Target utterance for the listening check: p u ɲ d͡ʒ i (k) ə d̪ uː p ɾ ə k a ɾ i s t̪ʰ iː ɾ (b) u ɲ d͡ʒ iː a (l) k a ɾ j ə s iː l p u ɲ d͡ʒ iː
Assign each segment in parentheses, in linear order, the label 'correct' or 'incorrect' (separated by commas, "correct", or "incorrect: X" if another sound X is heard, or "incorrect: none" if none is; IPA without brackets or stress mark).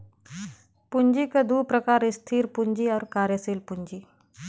correct, incorrect: p, incorrect: ɾ